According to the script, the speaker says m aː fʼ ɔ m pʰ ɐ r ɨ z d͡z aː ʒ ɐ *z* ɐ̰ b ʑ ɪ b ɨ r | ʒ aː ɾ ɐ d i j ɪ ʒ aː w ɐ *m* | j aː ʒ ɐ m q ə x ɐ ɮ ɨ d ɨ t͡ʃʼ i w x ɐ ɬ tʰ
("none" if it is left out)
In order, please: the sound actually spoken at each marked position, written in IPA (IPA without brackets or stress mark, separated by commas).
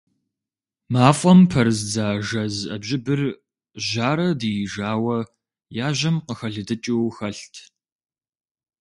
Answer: z, none